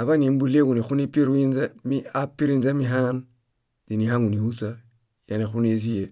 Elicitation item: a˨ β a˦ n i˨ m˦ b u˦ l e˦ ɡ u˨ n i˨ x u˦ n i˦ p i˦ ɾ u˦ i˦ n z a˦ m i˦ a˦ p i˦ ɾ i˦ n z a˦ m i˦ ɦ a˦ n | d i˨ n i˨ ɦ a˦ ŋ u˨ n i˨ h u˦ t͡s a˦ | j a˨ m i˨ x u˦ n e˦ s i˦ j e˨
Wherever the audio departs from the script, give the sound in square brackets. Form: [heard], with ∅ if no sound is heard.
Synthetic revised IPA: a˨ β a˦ n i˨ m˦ b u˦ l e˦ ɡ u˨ n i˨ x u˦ n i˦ p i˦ ɾ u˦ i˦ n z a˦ m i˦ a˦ p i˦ ɾ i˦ n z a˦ m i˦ ɦ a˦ n | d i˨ n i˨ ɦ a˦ ŋ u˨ n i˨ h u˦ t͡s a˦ | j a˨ [n] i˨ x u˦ n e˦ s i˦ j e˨